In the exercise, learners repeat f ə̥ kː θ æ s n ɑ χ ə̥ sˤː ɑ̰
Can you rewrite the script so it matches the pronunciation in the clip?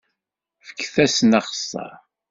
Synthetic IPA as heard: f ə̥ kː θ æ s n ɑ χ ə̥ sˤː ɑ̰